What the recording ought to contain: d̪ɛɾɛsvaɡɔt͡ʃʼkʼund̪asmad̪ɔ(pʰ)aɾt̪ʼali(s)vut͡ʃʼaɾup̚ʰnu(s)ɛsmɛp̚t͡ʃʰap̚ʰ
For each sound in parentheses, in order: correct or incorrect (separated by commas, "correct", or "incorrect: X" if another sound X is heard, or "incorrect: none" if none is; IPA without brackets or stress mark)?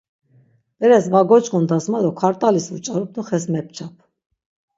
incorrect: kʰ, correct, incorrect: χ